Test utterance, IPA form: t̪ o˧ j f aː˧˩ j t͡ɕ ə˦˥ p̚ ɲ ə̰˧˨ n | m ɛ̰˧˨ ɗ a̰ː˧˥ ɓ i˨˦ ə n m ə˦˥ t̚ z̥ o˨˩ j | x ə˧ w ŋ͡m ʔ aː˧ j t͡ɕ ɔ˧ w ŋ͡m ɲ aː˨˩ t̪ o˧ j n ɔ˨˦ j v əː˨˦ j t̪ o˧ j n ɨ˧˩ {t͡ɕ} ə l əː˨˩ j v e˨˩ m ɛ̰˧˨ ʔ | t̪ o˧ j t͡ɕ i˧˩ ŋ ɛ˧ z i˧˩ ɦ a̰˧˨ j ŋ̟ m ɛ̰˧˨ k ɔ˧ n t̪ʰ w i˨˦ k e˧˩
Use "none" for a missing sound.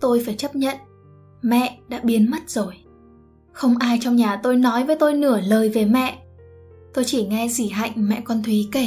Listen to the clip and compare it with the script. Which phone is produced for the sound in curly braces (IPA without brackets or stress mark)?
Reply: none